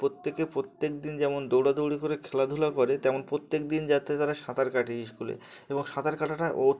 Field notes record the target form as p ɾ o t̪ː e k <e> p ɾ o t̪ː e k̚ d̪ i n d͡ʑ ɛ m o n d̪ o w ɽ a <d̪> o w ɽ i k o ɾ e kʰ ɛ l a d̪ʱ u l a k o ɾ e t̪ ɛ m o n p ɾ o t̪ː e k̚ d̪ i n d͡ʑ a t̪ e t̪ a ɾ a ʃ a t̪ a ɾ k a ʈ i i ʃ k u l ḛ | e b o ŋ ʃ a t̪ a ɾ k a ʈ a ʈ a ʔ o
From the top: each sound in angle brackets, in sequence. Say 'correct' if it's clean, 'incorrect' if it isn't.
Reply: correct, correct

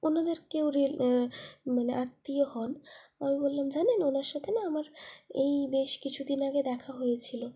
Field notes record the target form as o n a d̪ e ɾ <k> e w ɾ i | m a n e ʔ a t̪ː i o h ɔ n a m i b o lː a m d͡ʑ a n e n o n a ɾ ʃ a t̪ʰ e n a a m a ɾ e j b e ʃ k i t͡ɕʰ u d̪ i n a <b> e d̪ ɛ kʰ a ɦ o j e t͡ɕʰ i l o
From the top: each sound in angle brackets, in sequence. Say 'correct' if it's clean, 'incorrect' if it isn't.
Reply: correct, incorrect: ɡ

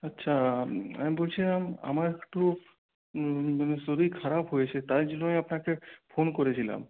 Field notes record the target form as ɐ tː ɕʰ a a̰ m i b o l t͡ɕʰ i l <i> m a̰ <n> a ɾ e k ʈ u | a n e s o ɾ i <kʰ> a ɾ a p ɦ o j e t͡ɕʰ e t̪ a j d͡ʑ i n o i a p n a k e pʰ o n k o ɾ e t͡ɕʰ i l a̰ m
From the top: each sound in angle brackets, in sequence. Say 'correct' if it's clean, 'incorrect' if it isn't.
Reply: incorrect: a, incorrect: m, correct

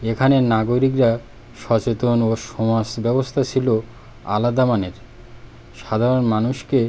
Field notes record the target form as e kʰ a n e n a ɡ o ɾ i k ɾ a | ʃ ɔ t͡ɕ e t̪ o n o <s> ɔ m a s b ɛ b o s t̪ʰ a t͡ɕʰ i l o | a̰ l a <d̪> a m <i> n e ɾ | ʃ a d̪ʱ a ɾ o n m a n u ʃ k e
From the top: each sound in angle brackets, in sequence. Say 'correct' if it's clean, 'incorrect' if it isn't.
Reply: incorrect: ʃ, correct, incorrect: a

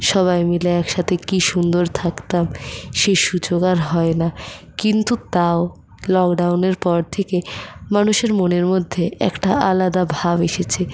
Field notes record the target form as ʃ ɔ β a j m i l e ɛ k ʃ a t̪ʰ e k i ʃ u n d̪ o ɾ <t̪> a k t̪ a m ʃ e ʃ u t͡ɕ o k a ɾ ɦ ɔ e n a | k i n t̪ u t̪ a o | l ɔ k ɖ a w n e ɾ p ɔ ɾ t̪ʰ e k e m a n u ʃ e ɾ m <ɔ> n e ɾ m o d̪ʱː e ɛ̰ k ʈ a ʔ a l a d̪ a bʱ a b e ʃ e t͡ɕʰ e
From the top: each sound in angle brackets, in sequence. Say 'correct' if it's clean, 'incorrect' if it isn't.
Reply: incorrect: t̪ʰ, incorrect: o

